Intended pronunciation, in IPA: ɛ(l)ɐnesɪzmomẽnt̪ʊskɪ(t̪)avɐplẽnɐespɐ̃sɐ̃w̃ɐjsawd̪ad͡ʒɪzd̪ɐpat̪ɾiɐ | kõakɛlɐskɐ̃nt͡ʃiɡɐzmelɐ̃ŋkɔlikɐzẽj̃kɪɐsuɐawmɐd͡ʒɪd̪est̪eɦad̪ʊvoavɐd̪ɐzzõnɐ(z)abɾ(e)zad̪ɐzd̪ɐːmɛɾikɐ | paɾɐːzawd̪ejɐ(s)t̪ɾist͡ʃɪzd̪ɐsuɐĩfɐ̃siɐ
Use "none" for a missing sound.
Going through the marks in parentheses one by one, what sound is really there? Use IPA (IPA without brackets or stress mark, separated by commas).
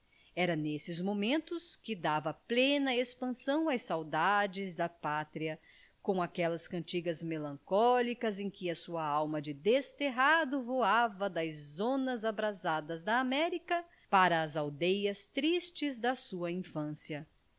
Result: ɾ, d̪, z, a, s